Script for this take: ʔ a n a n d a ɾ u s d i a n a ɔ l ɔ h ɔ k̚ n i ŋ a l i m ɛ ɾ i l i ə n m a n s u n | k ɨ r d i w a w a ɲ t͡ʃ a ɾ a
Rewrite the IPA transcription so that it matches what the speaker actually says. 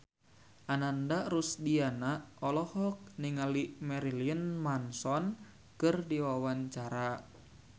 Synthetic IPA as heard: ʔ a n a n d a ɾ u s d i a n a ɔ l ɔ h ɔ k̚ n i ŋ a l i m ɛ ɾ i l i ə n m a n s ɔ n | k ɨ r d i w a w a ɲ t͡ʃ a ɾ a